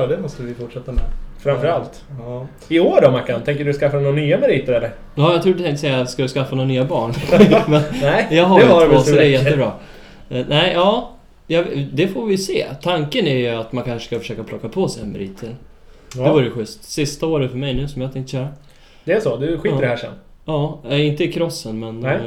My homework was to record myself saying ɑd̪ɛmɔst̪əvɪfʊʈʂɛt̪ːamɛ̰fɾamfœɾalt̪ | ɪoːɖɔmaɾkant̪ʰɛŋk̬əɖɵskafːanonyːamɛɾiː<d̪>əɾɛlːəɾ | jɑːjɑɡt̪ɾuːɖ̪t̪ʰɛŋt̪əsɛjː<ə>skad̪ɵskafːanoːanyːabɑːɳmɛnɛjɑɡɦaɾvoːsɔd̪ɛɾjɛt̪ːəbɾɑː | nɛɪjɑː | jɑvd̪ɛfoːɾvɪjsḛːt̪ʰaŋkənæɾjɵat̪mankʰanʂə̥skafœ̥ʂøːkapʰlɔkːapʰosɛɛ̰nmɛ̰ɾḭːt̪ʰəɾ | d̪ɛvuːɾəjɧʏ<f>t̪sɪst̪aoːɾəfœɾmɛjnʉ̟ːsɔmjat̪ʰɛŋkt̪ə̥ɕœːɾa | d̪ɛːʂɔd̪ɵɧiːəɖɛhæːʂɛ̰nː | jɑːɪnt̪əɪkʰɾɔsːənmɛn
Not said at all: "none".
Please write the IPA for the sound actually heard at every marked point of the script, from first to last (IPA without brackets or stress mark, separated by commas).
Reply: t̪, a, s